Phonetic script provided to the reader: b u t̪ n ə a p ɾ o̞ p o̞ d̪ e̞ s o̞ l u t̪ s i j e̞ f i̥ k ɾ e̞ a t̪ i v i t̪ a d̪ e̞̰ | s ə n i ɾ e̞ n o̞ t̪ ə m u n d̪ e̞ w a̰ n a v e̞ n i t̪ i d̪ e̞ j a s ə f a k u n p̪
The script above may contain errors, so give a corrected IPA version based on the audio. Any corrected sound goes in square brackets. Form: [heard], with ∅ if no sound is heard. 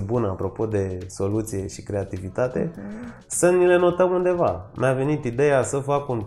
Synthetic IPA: b u [∅] n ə a p ɾ o̞ p o̞ d̪ e̞ s o̞ l u t̪ s i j e̞ [ʃ] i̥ k ɾ e̞ a t̪ i v i t̪ a [t̪] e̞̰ | s ə n i [l] e̞ n o̞ t̪ ə m u n d̪ e̞ [v] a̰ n a v e̞ n i t̪ i d̪ e̞ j a s ə f a k u n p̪